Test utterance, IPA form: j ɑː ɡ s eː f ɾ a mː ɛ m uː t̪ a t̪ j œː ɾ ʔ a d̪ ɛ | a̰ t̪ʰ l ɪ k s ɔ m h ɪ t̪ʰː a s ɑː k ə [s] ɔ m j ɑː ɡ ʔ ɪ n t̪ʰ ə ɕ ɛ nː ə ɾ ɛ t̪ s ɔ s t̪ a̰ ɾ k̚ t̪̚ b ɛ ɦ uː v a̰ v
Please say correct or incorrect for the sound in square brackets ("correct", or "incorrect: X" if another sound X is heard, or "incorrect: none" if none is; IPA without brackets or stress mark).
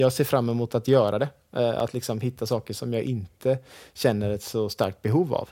incorrect: ʂ